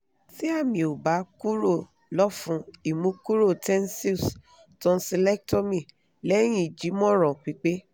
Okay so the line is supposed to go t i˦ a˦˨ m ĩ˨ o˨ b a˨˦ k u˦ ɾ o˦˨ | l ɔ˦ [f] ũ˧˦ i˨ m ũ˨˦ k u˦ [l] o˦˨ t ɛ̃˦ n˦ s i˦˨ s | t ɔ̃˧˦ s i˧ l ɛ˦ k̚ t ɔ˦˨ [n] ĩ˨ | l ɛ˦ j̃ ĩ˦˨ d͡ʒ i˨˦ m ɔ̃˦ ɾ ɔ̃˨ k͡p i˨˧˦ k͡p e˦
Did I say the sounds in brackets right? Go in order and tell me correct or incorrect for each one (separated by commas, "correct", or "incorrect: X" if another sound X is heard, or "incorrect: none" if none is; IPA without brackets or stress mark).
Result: correct, incorrect: ɾ, incorrect: m